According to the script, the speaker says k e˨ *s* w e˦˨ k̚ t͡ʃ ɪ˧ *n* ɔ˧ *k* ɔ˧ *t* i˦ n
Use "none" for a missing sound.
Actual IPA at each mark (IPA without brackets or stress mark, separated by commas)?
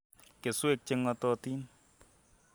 s, ŋ, t, t